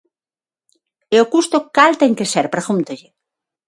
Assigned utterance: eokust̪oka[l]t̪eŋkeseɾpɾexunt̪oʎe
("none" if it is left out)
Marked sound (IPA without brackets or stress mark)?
l